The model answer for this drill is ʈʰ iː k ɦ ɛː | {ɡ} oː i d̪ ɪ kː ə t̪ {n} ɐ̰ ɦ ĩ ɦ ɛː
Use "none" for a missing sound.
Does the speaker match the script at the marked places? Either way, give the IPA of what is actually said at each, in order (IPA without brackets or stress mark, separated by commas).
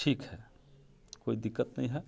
k, n